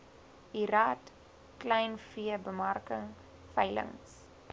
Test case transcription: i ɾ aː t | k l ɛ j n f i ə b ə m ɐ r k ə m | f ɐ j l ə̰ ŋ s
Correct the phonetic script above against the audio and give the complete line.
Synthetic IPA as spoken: i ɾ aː t | k l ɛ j n f i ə b ə m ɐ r k ə ŋ | f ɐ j l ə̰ ŋ s